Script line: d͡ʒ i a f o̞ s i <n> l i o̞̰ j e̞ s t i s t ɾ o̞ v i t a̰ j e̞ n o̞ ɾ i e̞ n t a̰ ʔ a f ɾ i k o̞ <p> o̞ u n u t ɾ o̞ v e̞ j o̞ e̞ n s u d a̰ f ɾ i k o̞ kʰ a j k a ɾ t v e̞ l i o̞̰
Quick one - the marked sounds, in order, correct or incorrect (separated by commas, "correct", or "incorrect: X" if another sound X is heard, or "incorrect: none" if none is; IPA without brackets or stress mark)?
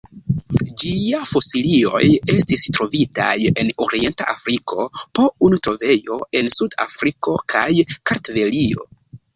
incorrect: none, correct